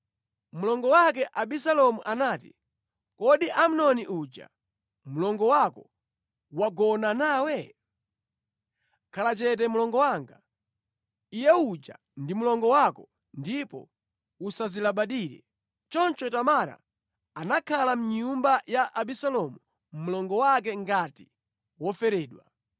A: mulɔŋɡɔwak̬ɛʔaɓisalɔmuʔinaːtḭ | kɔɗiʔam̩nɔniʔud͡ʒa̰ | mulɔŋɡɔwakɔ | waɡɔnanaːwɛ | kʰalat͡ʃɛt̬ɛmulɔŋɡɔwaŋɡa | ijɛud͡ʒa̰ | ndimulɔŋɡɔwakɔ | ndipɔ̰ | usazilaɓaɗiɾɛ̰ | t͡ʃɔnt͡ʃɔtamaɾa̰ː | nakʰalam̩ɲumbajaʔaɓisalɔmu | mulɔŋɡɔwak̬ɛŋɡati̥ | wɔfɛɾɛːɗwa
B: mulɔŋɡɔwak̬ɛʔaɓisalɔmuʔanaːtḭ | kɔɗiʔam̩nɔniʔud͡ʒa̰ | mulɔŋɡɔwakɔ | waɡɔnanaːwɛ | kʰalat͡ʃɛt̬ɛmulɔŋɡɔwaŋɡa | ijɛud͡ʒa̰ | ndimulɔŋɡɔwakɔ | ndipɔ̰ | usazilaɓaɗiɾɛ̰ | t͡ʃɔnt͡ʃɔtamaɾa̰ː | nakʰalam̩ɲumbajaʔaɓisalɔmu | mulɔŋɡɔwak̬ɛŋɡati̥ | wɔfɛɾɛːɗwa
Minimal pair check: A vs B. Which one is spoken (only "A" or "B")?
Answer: B